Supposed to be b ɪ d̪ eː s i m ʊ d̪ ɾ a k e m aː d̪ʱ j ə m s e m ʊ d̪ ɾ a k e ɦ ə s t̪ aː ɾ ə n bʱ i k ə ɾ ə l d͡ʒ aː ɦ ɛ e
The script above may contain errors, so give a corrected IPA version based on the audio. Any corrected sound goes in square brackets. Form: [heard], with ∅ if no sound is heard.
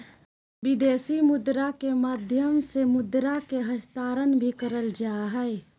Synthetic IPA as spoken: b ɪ d̪ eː s i m ʊ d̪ ɾ a k e m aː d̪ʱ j ə m s e m ʊ d̪ ɾ a k e ɦ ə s t̪ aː ɾ ə n bʱ i k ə ɾ ə l d͡ʒ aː ɦ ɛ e